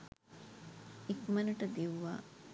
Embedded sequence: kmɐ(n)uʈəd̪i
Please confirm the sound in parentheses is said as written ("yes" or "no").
yes